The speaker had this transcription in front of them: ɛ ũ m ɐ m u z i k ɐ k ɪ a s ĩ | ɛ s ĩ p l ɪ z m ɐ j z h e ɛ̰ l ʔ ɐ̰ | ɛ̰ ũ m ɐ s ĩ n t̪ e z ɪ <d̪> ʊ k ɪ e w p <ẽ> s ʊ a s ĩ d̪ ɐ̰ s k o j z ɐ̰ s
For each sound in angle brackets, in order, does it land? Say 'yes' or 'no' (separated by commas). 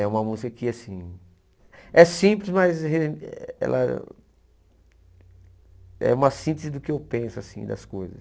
yes, yes